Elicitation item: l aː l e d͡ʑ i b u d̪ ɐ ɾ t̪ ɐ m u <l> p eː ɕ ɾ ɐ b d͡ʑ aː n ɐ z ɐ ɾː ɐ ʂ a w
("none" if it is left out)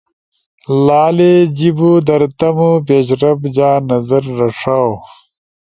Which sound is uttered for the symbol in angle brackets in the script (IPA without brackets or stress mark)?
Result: none